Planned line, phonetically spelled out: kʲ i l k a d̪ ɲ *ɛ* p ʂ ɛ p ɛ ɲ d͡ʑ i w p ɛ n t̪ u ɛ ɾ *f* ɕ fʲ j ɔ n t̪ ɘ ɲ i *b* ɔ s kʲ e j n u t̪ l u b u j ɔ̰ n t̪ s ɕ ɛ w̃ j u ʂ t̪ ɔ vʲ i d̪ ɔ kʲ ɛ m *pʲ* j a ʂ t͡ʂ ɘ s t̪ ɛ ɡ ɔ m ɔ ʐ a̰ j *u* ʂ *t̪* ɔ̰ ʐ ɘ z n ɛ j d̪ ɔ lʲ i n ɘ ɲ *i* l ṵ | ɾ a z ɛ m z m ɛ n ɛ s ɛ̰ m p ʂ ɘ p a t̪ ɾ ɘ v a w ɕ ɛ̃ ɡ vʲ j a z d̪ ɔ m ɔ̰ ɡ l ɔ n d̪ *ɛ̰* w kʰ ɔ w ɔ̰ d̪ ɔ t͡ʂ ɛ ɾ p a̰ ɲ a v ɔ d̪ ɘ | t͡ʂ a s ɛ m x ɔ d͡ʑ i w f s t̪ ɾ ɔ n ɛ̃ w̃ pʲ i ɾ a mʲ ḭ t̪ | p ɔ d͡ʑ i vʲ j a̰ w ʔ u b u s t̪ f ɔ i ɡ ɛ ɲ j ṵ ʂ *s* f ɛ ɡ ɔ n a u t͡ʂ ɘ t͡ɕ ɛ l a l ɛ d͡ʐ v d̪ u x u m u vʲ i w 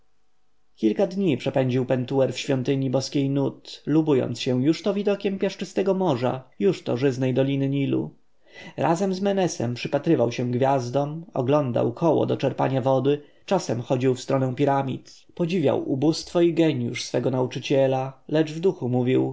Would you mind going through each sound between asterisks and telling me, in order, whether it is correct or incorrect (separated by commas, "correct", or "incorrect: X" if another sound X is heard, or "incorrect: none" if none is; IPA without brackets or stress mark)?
incorrect: i, correct, correct, correct, correct, correct, correct, incorrect: a̰, correct